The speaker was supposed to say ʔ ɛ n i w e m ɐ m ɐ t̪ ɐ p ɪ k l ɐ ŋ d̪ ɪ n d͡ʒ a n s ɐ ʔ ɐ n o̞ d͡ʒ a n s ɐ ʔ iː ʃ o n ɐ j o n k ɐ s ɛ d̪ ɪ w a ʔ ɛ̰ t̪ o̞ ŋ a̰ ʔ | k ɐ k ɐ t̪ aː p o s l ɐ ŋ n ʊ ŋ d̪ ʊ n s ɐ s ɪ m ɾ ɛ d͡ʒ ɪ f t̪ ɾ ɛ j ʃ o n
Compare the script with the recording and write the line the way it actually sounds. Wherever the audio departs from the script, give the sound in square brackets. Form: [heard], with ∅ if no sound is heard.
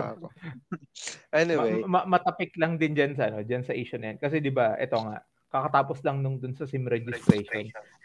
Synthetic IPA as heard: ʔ ɛ n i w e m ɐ m ɐ t̪ ɐ p ɪ k l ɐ ŋ d̪ ɪ n d͡ʒ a n s ɐ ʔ ɐ n o̞ d͡ʒ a n s ɐ ʔ iː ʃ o n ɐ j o n k ɐ s ɛ d̪ ɪ [b] a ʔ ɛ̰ t̪ o̞ ŋ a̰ ʔ | k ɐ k ɐ t̪ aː p o s l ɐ ŋ n ʊ ŋ d̪ ʊ n s ɐ s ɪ m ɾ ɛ d͡ʒ ɪ [s] t̪ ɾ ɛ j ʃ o n